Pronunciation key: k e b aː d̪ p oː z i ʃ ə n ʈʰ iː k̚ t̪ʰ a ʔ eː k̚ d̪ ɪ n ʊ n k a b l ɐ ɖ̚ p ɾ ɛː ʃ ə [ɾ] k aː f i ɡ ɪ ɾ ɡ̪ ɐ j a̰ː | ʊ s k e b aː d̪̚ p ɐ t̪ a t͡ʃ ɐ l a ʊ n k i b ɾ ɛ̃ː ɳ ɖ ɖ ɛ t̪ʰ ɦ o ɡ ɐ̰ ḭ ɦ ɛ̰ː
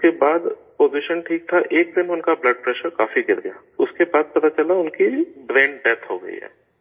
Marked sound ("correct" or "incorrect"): correct